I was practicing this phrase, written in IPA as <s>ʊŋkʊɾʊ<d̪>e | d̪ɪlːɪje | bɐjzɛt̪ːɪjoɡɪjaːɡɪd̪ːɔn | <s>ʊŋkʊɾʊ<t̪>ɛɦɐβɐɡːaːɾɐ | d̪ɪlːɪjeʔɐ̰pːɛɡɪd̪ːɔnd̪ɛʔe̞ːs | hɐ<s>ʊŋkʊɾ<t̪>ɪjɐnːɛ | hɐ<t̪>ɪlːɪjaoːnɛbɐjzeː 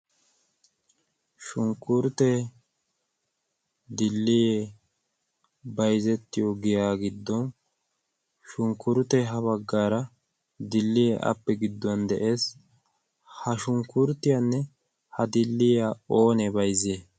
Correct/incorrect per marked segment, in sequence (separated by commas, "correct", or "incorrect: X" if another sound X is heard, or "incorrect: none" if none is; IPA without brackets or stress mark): incorrect: ʃ, incorrect: t̪, incorrect: ʃ, correct, incorrect: ʃ, correct, incorrect: d̪